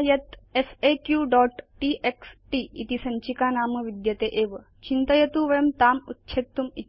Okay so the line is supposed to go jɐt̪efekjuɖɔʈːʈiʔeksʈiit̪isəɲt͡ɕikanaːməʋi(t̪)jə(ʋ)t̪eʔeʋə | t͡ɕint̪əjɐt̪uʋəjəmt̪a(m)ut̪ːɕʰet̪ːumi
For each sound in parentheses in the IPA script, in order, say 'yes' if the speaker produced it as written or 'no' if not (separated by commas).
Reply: no, no, yes